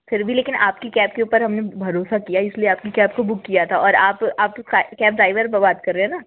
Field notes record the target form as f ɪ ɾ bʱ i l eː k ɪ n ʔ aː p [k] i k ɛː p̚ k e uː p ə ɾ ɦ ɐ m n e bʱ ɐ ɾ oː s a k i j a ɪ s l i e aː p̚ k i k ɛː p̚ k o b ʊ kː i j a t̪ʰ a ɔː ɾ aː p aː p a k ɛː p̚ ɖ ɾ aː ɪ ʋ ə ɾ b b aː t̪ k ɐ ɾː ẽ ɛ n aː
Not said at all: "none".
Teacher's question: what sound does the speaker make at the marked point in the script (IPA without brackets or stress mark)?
k